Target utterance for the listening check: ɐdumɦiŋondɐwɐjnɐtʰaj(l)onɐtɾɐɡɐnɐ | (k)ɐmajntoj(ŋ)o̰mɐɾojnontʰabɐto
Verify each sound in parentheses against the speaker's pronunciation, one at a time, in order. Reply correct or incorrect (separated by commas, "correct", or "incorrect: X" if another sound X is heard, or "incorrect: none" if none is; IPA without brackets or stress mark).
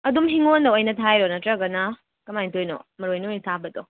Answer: incorrect: ɾ, correct, incorrect: n